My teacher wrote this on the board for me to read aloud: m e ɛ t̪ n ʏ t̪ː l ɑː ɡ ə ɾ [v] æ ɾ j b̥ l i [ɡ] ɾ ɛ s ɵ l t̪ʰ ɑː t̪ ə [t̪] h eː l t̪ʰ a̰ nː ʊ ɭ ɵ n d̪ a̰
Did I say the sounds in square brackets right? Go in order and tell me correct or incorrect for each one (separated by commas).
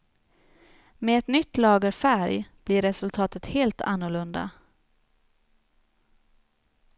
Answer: incorrect, incorrect, correct